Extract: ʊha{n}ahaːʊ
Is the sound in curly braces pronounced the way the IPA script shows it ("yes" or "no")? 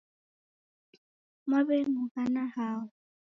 yes